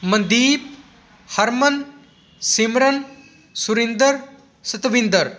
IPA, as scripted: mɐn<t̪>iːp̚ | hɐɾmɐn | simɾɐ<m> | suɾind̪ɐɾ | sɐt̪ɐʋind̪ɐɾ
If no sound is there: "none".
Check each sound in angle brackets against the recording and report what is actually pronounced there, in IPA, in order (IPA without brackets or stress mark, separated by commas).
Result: d̪, n